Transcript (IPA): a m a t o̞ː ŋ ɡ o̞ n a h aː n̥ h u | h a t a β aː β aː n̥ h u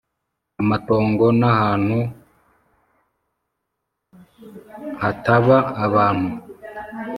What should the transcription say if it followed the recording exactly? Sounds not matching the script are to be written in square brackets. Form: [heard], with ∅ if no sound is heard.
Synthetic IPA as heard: a m a t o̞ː ŋ ɡ o̞ n a h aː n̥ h u | h a t a β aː β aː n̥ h u